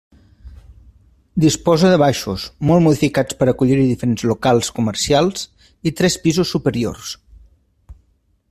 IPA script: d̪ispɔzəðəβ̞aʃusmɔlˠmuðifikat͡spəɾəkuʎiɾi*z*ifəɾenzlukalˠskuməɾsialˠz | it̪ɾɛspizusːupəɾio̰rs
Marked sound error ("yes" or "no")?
yes